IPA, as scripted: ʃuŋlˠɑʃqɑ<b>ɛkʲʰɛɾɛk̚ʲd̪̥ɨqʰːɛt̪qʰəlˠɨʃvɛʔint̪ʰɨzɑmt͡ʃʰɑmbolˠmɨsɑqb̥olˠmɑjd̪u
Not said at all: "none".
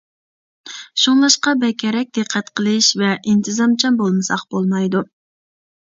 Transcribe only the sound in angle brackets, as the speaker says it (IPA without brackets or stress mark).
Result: b